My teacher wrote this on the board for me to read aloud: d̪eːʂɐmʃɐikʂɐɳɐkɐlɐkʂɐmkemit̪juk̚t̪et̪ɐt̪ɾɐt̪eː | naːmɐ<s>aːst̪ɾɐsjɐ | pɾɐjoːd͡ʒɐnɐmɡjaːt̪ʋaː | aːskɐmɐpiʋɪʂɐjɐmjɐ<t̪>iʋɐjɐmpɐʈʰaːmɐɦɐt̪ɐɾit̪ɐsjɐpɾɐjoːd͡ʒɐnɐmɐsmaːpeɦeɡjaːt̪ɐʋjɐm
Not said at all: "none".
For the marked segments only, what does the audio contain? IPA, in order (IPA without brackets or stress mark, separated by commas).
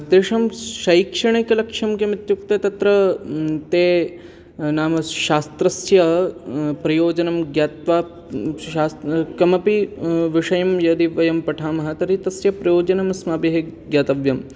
ʃ, d̪